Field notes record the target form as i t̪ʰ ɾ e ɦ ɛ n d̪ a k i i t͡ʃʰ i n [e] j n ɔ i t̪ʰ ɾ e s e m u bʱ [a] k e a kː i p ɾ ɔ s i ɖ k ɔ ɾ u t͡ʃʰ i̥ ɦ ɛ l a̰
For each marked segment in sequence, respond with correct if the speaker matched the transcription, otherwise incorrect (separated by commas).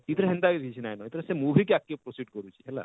incorrect, incorrect